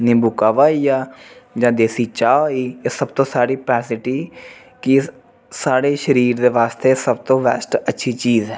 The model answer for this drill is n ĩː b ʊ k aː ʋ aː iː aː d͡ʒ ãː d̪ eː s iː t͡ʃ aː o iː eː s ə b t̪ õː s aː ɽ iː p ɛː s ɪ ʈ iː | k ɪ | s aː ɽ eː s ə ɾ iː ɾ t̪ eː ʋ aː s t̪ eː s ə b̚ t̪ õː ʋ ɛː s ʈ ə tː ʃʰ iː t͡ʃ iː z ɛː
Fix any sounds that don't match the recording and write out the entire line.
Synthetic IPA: n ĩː b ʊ k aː ʋ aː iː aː d͡ʒ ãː d̪ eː s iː t͡ʃ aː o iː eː s ə b t̪ õː s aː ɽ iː p ɛː s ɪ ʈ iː | k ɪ | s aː ɽ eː ʃ ə ɾ iː ɾ d̪ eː ʋ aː s t̪ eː s ə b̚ t̪ õː ʋ ɛː s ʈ ə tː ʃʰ iː t͡ʃ iː z ɛː